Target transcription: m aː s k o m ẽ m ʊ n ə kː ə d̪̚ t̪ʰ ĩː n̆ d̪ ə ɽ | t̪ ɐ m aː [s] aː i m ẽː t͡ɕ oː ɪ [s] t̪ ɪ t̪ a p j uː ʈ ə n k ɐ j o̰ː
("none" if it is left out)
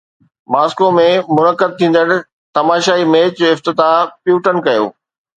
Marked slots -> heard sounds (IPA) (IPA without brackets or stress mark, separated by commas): ʃ, f